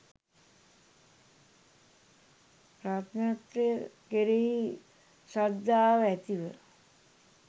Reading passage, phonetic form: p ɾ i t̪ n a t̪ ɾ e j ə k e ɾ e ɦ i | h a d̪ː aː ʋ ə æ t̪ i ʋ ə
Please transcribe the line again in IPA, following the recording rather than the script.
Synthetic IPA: p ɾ a t̪ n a t̪ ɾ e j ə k e ɾ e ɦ i | s a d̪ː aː ʋ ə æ t̪ i ʋ ə